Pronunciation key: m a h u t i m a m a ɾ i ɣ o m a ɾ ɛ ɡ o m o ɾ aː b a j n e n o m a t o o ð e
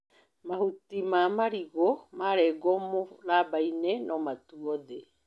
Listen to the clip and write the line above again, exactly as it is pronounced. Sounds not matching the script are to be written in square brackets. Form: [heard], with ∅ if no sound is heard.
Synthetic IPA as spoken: m a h u t i m a m a ɾ i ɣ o m a ɾ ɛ ɡ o m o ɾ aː b a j n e n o m a t [u] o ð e